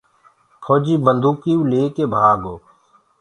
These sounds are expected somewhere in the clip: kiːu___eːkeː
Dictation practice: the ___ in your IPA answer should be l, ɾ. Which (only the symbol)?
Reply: l